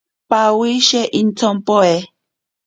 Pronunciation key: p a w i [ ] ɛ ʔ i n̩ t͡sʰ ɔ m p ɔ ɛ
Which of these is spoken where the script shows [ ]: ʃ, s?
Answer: ʃ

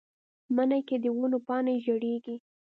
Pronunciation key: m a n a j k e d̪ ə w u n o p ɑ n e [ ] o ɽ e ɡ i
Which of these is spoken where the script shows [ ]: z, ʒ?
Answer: ʒ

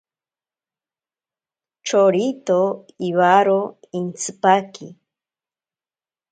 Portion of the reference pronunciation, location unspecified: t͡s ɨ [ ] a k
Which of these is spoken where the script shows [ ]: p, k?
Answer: p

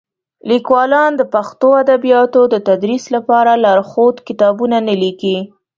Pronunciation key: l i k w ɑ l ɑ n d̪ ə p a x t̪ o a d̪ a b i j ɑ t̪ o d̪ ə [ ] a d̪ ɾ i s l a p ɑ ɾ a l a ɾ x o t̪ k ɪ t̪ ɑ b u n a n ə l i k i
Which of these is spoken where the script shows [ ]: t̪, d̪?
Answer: t̪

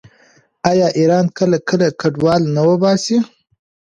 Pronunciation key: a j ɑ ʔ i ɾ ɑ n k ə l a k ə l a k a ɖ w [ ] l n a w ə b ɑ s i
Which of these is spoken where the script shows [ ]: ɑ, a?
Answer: ɑ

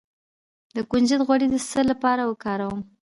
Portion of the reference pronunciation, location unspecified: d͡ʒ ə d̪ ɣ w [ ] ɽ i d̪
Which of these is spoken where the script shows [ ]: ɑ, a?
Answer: a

